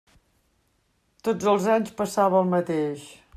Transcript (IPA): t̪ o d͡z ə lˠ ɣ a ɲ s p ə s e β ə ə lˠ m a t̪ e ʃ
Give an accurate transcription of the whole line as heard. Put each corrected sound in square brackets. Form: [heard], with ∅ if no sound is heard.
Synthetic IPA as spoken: t̪ o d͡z ə lˠ [z] a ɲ s p ə s [a] β ə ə lˠ m [ə] t̪ e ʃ